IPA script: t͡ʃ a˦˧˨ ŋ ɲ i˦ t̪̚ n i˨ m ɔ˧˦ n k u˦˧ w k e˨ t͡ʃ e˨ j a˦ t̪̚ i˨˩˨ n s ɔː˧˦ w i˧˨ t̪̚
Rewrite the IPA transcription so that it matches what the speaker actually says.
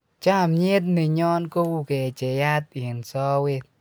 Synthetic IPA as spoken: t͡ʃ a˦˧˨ m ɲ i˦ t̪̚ n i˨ ɲ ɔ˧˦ n k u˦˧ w k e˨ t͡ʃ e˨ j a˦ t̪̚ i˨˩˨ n s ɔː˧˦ w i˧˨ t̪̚

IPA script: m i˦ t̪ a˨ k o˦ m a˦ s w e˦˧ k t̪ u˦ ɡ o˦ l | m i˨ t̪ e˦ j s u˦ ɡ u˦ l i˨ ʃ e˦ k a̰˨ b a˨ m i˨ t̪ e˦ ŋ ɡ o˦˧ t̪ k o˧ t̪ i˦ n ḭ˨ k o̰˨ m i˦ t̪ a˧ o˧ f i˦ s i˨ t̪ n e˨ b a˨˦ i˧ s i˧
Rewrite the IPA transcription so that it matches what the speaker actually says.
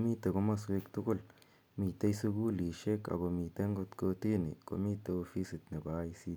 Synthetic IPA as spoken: m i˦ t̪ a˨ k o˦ m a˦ s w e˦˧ k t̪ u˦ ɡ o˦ l | m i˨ t̪ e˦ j s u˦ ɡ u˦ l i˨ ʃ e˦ k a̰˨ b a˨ m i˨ t̪ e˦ ŋ ɡ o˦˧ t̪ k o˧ t̪ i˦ n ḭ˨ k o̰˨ m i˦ t̪ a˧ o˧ f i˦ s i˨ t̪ n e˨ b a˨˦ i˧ s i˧

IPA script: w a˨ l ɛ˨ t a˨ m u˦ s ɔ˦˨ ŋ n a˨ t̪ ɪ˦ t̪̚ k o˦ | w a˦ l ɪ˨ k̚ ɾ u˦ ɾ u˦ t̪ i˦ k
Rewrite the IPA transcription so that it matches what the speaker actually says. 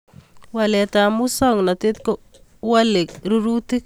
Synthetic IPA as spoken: w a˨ l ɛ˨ t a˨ m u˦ s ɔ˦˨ ŋ n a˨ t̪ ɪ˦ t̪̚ k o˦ | w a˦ l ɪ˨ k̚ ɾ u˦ ɾ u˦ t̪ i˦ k

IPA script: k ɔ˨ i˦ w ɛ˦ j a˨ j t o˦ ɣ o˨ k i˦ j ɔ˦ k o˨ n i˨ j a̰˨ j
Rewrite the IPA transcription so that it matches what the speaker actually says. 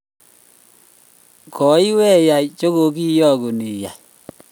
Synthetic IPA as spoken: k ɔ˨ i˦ w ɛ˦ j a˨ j t͡ʃ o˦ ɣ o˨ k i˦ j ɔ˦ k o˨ n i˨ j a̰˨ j

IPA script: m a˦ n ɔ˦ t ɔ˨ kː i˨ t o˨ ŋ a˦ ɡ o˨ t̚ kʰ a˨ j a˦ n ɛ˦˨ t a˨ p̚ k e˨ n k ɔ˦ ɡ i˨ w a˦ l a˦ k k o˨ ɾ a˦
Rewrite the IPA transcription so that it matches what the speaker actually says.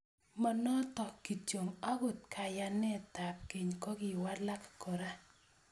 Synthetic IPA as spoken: m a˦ n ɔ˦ t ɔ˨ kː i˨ t͡ʃ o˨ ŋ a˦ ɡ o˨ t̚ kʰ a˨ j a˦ n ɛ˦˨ t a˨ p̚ k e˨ ɲ k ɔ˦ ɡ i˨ w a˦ l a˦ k k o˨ ɾ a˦

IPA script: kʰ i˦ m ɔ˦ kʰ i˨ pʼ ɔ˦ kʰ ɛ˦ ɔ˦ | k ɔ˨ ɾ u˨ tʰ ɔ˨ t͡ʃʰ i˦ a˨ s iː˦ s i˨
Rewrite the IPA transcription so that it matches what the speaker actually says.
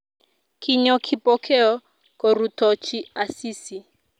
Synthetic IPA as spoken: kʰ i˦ ɲ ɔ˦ kʰ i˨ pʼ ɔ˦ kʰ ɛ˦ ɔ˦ | k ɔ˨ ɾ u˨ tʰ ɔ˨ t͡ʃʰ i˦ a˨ s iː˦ s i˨

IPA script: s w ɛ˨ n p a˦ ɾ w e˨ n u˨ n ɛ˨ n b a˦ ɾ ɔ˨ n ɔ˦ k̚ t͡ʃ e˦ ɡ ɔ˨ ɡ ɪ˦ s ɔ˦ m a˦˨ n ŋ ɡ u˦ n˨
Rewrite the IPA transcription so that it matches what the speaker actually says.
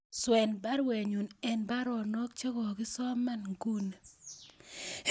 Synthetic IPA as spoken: s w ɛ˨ n b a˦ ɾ w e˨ ɲ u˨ n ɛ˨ n b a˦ ɾ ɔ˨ n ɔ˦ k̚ t͡ʃ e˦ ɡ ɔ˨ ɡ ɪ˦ s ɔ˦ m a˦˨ n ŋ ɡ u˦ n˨

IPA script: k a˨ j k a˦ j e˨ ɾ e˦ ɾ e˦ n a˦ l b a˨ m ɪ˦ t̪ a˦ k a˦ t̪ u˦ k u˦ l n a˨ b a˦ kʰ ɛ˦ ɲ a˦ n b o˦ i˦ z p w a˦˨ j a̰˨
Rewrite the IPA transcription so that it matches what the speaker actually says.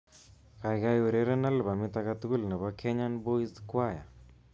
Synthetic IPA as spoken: k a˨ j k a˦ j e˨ ɾ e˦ ɾ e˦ n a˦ l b a˨ m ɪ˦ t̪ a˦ k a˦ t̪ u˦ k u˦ l n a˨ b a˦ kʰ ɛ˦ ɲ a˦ n b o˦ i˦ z k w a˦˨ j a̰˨

